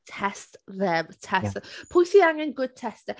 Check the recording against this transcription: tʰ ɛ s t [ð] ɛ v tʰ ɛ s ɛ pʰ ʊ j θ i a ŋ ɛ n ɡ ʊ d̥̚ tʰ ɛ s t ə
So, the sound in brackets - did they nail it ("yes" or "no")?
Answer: yes